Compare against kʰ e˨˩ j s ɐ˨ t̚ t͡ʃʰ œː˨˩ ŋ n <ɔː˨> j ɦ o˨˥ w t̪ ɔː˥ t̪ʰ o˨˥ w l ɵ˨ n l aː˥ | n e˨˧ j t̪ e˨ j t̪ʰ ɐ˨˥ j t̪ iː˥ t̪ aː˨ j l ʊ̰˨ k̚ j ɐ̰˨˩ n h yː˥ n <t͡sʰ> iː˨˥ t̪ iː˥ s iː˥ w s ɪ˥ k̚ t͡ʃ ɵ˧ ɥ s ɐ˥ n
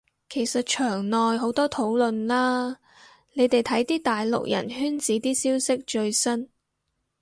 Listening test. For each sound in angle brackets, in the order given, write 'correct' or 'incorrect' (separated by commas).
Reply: correct, incorrect